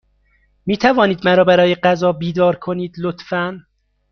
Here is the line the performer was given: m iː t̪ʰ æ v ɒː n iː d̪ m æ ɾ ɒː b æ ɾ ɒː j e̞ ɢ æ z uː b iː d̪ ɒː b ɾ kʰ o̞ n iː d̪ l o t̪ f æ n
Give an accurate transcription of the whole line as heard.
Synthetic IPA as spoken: m iː t̪ʰ æ v ɒː n iː d̪ m æ ɾ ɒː b æ ɾ ɒː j e̞ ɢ æ z ɒː b iː d̪ ɒː ɾ kʰ o̞ n iː d̪ l o t̪ f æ n